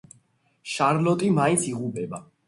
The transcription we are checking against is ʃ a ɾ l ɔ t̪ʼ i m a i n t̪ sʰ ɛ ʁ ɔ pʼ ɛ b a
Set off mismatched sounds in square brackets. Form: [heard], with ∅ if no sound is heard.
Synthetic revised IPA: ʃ a ɾ l ɔ t̪ʼ i m a i n t̪ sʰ [i] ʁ [u] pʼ ɛ b a